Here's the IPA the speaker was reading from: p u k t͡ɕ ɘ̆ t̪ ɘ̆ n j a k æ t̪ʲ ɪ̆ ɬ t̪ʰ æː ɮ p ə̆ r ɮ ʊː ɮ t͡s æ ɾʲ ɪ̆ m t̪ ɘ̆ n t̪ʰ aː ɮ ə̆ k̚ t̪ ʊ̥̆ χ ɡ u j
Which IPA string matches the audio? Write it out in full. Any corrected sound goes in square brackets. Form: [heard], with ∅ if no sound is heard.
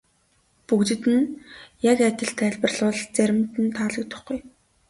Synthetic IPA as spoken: p u k t͡ɕ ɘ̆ t̪ ɘ̆ n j a k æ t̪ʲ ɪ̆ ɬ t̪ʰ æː ɮ p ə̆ r ɮ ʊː ɮ t͡s æ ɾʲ ɪ̆ m t̪ ɘ̆ n t̪ʰ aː ɮ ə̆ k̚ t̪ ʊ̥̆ χ ɡ u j